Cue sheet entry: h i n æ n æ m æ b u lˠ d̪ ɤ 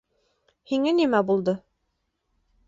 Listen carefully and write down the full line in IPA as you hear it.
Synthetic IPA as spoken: h i ŋ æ n i m æ b u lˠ d̪ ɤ